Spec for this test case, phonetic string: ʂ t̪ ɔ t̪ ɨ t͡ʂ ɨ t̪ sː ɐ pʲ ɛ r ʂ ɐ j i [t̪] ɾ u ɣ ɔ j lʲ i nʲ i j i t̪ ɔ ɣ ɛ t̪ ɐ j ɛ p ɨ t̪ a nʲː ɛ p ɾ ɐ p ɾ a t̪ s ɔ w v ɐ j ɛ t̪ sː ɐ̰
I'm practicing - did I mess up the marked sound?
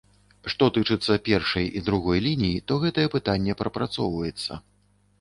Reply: yes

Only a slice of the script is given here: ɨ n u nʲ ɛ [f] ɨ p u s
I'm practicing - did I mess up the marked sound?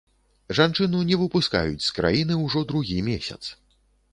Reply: yes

